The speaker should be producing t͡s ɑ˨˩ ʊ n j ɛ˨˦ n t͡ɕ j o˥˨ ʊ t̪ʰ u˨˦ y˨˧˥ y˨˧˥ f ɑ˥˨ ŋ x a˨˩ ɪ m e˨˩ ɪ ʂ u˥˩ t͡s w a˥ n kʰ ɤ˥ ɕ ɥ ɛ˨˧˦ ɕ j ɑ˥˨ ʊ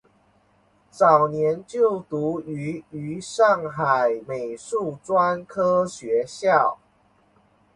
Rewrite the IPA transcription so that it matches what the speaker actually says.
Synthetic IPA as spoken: t͡s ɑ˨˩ ʊ n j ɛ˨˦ n t͡ɕ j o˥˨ ʊ t̪ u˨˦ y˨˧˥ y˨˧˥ ʂ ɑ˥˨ ŋ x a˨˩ ɪ m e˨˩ ɪ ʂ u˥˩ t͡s w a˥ n kʰ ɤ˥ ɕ ɥ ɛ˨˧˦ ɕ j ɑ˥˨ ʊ

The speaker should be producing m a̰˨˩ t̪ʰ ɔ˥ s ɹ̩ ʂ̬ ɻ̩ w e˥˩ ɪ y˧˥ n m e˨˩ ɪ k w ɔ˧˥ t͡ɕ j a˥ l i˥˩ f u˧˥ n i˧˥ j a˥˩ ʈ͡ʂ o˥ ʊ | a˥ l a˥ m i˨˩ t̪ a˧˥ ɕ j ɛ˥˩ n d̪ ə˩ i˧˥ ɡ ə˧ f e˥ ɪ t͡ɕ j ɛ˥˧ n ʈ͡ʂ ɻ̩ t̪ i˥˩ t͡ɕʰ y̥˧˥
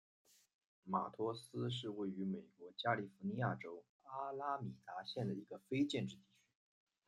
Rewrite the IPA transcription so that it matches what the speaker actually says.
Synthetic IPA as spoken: m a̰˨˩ t̪ʰ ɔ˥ s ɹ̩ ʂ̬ ɻ̩ w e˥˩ ɪ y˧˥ m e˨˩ ɪ k w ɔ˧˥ t͡ɕ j a˥ l i˥˩ f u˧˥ n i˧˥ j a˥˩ ʈ͡ʂ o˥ ʊ | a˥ l a˥ m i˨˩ t̪ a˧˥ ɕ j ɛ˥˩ n d̪ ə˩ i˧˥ ɡ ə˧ f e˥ ɪ t͡ɕ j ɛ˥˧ n ʈ͡ʂ ɻ̩ t̪ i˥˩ t͡ɕʰ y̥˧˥

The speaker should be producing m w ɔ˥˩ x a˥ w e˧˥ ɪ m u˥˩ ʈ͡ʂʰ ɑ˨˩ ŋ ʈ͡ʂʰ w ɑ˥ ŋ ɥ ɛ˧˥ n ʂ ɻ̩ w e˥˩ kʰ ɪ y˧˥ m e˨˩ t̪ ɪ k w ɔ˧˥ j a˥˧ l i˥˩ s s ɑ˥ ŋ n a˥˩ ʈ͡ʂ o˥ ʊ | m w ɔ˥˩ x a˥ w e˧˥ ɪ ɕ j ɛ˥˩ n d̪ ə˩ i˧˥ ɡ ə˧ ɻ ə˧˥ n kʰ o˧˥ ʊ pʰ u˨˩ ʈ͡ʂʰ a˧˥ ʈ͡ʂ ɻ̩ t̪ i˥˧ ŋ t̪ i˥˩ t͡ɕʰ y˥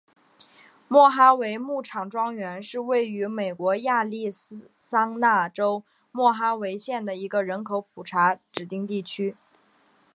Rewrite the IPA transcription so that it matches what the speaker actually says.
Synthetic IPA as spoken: m w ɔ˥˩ x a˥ w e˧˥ ɪ m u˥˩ ʈ͡ʂʰ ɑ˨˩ ŋ ʈ͡ʂ w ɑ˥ ŋ ɥ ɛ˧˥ n ʂ ɻ̩ w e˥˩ ɪ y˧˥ m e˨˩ ɪ k w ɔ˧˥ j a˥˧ l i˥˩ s s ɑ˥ ŋ n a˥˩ ʈ͡ʂ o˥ ʊ | m w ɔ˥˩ x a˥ w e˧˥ ɪ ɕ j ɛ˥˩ n d̪ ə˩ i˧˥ ɡ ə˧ ɻ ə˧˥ n kʰ o˧˥ ʊ pʰ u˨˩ ʈ͡ʂʰ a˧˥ ʈ͡ʂ ɻ̩ t̪ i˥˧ ŋ t̪ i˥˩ t͡ɕʰ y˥

